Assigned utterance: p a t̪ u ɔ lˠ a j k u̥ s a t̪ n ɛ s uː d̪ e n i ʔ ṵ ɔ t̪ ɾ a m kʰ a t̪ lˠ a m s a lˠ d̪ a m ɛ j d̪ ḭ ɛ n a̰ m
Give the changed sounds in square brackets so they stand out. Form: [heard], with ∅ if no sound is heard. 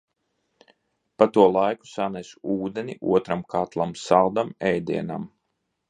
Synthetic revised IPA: p a t̪ u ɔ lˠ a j k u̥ s a [∅] n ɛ s uː d̪ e n i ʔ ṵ ɔ t̪ ɾ a m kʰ a t̪ lˠ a m s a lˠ d̪ a m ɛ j d̪ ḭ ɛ n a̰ m